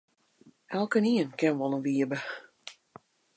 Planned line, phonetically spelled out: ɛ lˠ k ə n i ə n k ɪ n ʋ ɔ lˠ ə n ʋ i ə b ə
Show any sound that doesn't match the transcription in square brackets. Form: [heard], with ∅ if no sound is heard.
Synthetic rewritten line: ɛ lˠ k ə n i ə n k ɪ n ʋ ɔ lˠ ə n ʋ i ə b ə